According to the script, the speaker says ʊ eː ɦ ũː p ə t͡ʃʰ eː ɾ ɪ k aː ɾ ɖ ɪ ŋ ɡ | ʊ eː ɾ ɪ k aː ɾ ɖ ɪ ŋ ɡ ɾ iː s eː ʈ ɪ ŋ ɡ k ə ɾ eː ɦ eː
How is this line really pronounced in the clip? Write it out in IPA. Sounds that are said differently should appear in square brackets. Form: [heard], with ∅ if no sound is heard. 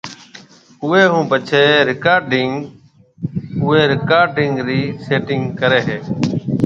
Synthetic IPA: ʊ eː ɦ ũː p ə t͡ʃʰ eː ɾ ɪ k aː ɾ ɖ ɪ ŋ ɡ | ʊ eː ɾ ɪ k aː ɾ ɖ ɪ ŋ ɡ ɾ iː s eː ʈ ɪ ŋ ɡ k ə ɾ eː ɦ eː